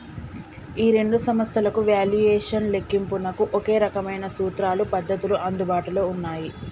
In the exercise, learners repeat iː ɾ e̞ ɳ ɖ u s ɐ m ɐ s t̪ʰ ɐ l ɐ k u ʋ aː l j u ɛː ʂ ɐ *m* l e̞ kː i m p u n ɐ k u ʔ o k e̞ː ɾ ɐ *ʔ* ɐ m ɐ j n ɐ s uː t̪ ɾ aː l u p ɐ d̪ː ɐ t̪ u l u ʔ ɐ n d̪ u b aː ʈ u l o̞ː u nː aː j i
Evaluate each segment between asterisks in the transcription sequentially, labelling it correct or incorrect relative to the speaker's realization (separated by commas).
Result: incorrect, incorrect